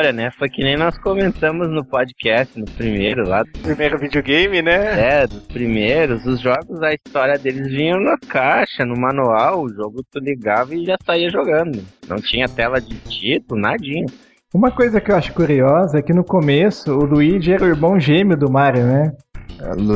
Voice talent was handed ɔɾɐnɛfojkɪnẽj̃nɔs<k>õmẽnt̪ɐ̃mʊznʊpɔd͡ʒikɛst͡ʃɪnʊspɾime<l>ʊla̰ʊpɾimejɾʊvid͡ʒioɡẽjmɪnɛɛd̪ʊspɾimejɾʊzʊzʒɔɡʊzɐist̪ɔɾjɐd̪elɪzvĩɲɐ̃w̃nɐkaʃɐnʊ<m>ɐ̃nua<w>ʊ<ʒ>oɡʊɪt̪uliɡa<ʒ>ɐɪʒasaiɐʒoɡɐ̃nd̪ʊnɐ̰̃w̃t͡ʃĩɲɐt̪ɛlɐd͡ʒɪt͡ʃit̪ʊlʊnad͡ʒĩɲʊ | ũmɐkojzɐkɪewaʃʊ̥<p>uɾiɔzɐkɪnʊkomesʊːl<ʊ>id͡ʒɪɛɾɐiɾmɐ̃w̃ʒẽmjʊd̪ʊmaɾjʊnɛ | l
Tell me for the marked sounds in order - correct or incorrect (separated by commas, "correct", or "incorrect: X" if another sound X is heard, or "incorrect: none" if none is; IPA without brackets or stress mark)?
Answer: correct, incorrect: ɾ, correct, correct, correct, incorrect: v, incorrect: k, incorrect: u